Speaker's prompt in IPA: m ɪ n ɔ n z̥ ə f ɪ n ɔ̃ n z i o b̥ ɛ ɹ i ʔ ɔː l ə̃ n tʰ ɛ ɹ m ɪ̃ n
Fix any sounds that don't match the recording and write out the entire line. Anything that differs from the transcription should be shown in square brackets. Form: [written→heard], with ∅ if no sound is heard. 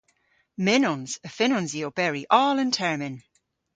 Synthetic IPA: m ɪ n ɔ n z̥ ə f ɪ n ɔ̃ n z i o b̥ ɛ ɹ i ʔ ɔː l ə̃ n tʰ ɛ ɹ m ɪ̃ n